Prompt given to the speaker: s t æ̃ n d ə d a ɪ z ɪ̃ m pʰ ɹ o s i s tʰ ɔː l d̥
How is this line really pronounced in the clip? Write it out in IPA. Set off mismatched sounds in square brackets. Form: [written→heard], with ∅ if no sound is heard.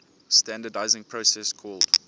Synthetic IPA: s t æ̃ n d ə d a ɪ z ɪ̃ [m→ŋ] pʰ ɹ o s [i→ɛ] s [tʰ→kʰ] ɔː l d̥

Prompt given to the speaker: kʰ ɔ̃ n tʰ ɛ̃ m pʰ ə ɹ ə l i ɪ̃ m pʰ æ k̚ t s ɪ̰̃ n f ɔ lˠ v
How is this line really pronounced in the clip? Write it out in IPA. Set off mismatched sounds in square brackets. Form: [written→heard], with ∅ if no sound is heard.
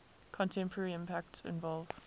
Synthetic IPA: kʰ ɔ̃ n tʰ ɛ̃ m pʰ ə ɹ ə [l→ɹ] i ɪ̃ m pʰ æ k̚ t s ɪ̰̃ n [f→v] ɔ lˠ v

